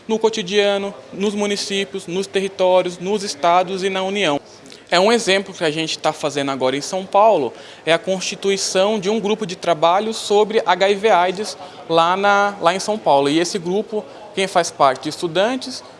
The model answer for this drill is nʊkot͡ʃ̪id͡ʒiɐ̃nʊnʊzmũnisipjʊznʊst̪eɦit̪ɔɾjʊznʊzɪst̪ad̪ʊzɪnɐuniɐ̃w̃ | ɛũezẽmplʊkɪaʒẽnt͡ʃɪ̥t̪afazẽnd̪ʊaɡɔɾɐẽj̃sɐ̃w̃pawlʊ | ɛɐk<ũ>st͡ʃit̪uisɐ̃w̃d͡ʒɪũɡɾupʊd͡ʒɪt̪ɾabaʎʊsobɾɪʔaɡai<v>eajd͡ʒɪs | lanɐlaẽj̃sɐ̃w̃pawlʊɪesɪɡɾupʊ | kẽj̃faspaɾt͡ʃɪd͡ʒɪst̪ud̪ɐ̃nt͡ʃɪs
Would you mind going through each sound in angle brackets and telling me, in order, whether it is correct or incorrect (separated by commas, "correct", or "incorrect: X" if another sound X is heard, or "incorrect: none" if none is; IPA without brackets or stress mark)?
incorrect: õ, correct